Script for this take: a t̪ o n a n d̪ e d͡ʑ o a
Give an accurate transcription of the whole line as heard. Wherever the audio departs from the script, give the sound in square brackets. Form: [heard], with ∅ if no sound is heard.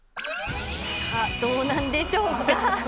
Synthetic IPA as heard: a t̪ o n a n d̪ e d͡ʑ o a

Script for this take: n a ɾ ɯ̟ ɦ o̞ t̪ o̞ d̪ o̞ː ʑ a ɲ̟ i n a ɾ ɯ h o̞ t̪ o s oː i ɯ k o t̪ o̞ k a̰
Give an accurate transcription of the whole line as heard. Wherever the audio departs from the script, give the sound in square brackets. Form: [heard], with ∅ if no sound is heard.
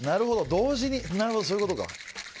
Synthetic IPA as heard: n a ɾ ɯ̟ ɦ o̞ [d̪] o̞ d̪ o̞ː ʑ [i] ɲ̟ i n a ɾ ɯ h o̞ [d̪] o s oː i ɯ k o t̪ o̞ k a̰

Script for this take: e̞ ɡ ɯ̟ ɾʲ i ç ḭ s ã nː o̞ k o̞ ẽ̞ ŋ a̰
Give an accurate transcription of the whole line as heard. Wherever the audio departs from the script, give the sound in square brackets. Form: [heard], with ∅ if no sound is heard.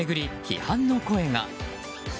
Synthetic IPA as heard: e̞ ɡ ɯ̟ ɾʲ i ç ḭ [h] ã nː o̞ k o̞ [e̞] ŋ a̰

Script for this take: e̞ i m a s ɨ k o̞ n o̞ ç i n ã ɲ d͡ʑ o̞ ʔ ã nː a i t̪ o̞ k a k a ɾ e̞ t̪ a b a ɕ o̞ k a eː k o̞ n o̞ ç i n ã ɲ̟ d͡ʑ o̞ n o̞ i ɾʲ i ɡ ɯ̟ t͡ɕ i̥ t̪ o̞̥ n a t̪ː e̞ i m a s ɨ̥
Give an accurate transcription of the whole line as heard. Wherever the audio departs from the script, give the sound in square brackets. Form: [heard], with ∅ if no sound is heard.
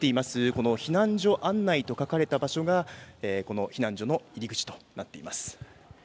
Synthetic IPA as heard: e̞ i m a s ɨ k o̞ n o̞ ç i n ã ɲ d͡ʑ o̞ ʔ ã nː a i t̪ o̞ k a k a ɾ e̞ t̪ a b a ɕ o̞ [ɡ] a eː k o̞ n o̞ ç i n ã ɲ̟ d͡ʑ o̞ n o̞ i ɾʲ i ɡ ɯ̟ t͡ɕ i̥ t̪ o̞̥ n a t̪ː e̞ i m a s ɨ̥

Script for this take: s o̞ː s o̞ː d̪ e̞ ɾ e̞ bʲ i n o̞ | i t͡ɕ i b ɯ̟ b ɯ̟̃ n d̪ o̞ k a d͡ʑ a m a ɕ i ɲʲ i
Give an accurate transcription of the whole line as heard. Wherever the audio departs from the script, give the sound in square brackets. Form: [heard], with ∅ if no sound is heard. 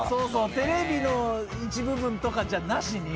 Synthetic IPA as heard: s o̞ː s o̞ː [t̪] e̞ ɾ e̞ bʲ i n o̞ | i t͡ɕ i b ɯ̟ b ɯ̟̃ n [t̪] o̞ k a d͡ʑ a [n] a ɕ i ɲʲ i

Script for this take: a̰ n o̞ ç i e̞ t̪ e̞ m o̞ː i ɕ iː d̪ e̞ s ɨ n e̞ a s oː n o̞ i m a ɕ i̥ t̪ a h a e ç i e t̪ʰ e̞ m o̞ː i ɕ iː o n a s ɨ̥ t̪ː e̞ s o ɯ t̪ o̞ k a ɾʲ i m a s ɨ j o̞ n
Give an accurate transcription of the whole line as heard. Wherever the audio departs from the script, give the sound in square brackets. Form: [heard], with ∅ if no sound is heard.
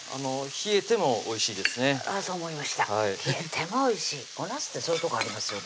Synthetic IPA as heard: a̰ n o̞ ç i e̞ t̪ e̞ m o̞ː i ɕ iː d̪ e̞ s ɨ n e̞ a s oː [m] o̞ i m a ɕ i̥ t̪ a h a [i] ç i e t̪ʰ e̞ m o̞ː i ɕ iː o n a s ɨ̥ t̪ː e̞ s o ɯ t̪ o̞ k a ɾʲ i m a s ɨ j o̞ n

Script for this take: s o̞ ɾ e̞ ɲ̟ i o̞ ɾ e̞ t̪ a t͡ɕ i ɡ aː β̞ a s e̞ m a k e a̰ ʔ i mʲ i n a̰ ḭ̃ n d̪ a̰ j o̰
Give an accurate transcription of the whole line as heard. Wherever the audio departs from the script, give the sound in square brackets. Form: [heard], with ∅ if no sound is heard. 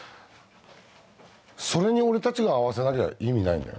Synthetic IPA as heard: s o̞ ɾ e̞ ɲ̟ i o̞ ɾ e̞ t̪ a t͡ɕ i ɡ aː β̞ a s e̞ [n] a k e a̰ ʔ i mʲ i n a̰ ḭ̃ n d̪ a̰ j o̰

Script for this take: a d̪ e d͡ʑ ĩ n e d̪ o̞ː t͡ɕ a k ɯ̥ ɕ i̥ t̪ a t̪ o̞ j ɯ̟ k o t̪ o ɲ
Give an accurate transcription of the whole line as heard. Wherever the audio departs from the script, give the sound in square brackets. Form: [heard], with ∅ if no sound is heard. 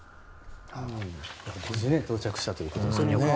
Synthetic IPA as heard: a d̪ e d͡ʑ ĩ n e [t̪] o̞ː t͡ɕ a k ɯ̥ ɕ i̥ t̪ a t̪ o̞ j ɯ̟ k o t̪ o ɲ

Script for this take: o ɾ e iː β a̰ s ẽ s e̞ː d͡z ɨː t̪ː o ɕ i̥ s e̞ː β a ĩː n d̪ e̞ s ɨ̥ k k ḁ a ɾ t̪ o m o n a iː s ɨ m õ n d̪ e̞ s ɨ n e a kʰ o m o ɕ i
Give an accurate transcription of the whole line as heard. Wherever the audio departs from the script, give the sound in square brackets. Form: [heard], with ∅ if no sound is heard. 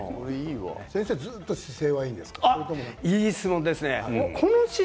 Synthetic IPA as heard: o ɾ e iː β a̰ s ẽ s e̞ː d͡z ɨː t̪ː o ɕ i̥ s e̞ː β a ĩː n d̪ e̞ s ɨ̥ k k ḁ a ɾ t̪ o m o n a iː s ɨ m õ n d̪ e̞ s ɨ n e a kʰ o [n] o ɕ i

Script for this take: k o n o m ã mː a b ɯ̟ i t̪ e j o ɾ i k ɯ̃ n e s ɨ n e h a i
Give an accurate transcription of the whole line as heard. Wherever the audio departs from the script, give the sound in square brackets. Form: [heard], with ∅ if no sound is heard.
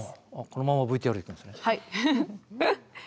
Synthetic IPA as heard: k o n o m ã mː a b ɯ̟ i t̪ e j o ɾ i k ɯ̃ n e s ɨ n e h a i

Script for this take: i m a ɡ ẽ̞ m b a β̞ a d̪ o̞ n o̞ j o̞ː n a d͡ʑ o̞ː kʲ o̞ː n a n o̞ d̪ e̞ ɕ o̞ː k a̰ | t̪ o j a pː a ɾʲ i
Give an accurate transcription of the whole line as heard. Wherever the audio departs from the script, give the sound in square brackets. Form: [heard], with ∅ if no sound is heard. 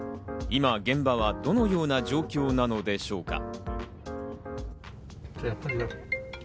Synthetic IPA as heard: i m a ɡ ẽ̞ m b a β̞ a d̪ o̞ n o̞ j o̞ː n a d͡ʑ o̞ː kʲ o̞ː n a n o̞ d̪ e̞ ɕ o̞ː k a̰ | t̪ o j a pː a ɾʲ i

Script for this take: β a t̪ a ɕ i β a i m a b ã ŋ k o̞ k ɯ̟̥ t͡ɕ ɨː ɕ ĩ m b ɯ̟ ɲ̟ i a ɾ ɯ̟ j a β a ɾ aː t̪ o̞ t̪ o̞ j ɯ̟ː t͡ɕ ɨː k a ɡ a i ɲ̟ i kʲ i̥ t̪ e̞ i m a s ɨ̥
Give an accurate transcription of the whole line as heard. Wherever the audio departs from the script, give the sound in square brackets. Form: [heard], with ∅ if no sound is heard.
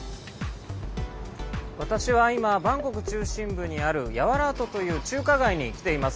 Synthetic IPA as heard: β a t̪ a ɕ i β a i m a b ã ŋ k o̞ k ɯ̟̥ t͡ɕ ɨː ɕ ĩ m b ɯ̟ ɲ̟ i a ɾ ɯ̟ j a β a ɾ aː t̪ o̞ t̪ o̞ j ɯ̟ː t͡ɕ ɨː k a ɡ a i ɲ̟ i kʲ i̥ t̪ e̞ i m a s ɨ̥

